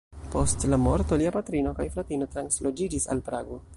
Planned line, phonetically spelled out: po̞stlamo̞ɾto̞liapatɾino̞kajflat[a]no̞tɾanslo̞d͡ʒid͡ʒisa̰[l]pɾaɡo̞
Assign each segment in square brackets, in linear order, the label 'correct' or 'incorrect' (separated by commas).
incorrect, correct